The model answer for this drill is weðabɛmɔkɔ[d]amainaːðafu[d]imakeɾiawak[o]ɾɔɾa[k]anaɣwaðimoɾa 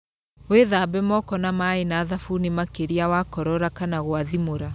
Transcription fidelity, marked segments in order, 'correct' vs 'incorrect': incorrect: n, incorrect: n, incorrect: ɔ, correct

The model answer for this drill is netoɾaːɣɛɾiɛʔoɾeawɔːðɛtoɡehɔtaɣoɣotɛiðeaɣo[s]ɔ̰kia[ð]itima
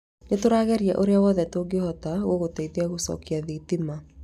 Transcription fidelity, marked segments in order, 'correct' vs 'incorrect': correct, correct

